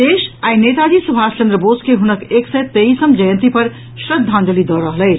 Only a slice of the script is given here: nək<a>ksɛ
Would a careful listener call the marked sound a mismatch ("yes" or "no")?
yes